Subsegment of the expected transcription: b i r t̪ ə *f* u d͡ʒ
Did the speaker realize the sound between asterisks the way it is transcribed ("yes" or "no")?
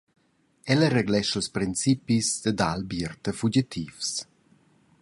yes